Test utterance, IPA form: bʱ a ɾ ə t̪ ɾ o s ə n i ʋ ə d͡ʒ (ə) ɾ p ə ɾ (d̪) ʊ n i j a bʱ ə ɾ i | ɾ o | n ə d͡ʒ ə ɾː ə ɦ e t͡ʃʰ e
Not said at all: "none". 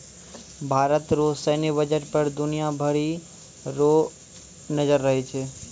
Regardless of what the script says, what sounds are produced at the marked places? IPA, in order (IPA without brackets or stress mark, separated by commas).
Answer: ə, d̪